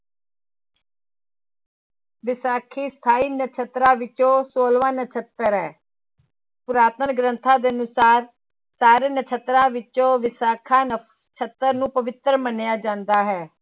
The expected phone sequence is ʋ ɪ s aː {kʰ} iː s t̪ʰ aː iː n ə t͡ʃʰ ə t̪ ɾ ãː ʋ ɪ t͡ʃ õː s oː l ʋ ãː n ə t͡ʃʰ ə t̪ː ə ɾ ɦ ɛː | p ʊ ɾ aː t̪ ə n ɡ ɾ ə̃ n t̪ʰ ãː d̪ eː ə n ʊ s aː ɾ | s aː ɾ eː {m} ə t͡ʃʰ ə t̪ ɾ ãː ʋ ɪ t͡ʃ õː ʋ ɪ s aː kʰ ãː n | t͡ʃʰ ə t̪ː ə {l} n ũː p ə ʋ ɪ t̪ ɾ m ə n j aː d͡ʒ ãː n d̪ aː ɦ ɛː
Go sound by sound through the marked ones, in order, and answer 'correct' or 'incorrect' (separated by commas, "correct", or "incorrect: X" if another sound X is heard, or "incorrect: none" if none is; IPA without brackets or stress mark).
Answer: correct, incorrect: n, incorrect: ɾ